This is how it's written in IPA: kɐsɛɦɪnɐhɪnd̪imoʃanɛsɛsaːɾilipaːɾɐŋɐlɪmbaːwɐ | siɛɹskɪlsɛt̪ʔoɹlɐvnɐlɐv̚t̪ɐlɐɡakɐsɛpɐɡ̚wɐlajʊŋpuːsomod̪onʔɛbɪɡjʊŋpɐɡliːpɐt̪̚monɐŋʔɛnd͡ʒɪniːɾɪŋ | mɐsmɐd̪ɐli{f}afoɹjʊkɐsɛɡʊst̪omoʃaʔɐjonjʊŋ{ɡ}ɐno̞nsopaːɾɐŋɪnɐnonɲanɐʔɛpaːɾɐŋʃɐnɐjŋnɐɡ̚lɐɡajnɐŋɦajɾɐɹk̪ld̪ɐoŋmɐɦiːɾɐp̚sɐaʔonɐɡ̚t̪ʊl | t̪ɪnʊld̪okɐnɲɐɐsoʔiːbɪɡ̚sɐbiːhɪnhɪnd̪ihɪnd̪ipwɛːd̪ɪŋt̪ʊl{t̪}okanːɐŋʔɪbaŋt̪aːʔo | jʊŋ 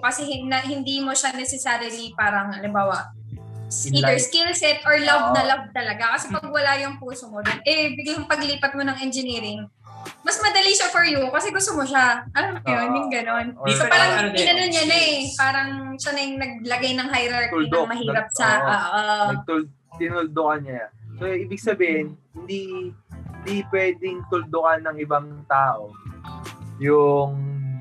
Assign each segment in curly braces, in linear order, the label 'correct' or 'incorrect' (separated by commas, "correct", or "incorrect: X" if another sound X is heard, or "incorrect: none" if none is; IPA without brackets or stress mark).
incorrect: ʃ, correct, incorrect: d̪